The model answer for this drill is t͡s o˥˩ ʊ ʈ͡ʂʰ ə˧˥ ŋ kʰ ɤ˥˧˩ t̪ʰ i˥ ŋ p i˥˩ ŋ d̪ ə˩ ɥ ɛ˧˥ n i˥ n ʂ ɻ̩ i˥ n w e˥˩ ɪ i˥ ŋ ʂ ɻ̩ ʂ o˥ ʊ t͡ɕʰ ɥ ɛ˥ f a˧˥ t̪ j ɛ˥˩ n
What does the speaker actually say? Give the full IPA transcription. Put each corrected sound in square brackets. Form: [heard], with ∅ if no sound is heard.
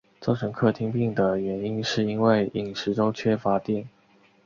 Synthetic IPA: t͡s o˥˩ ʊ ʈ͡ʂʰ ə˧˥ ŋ kʰ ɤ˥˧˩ t̪ʰ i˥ ŋ p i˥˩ ŋ d̪ ə˩ ɥ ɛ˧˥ n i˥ n ʂ ɻ̩ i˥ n w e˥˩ ɪ [i˨˩] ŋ ʂ ɻ̩ [ʈ͡ʂ] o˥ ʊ t͡ɕʰ ɥ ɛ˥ f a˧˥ t̪ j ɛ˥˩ n